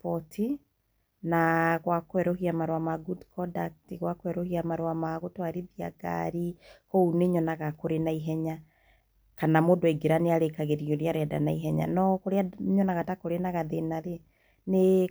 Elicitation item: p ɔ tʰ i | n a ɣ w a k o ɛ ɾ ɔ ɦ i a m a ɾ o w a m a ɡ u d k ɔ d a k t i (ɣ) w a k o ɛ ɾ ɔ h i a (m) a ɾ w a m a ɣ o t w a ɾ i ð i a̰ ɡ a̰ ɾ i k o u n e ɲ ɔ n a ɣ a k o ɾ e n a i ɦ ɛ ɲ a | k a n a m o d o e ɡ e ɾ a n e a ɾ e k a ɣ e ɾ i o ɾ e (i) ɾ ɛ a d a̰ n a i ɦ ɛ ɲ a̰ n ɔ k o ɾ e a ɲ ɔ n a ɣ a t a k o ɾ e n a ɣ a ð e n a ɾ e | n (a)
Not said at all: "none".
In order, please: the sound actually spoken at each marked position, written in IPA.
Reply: ɣ, m, a, e

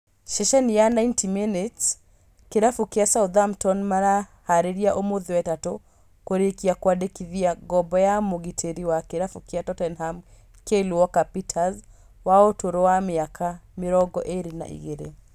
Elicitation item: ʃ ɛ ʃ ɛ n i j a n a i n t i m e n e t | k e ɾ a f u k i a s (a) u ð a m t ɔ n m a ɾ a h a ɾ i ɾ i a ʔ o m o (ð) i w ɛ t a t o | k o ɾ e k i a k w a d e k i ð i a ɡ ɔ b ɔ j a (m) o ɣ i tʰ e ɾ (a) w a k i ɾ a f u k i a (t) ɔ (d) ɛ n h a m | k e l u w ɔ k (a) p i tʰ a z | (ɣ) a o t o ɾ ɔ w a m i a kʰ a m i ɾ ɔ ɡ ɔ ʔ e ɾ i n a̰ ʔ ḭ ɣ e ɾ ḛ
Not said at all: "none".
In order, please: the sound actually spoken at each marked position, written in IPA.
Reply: a, ð, m, i, t, t, a, w

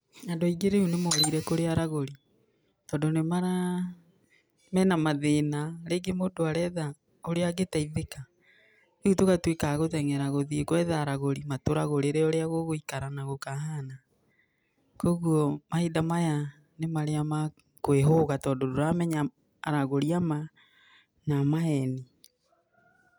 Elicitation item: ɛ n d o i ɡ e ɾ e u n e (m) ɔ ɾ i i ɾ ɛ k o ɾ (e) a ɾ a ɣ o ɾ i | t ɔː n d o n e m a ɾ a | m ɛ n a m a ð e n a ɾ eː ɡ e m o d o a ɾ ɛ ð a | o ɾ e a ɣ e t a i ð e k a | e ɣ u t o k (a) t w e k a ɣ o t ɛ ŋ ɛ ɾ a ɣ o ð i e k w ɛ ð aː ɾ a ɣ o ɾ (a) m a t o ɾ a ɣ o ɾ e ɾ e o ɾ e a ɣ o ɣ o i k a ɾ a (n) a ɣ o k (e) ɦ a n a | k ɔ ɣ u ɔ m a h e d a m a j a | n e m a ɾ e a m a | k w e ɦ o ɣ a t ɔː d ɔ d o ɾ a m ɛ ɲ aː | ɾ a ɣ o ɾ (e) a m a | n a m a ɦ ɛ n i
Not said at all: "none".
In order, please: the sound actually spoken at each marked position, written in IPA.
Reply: m, e, a, i, n, a, i

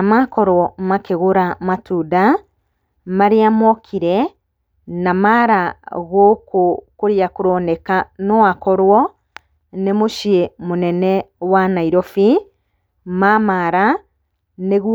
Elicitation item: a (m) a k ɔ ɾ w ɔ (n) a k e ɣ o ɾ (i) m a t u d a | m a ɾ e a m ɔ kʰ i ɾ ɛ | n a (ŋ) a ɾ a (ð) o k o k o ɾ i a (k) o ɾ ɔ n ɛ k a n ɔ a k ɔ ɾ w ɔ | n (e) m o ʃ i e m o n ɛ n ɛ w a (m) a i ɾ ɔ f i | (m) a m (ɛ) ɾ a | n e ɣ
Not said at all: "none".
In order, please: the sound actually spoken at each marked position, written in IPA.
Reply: m, m, a, m, ɣ, k, e, n, m, a

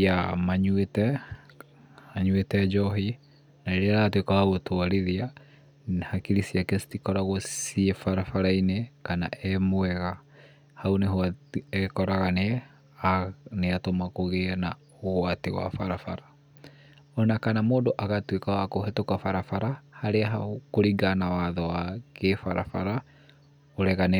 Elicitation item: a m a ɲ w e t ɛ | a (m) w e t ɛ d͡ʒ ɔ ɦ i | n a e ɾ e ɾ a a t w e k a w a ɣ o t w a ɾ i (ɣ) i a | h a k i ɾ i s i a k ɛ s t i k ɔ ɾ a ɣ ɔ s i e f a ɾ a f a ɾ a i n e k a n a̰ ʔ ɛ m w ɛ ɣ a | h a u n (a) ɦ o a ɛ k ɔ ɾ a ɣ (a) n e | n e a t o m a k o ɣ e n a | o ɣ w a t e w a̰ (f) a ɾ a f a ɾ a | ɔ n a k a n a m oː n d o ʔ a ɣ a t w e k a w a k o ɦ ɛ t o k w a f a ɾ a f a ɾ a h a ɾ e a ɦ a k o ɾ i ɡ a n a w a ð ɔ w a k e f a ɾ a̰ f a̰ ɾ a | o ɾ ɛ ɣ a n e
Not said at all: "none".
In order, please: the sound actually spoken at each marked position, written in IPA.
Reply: ɲ, ð, e, a, f

